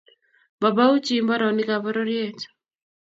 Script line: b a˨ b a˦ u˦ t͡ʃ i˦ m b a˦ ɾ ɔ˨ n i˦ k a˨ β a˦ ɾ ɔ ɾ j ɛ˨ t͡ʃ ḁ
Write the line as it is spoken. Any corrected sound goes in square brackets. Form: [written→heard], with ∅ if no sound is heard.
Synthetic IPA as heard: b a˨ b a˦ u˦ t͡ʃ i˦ m b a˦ ɾ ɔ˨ n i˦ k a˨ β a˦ ɾ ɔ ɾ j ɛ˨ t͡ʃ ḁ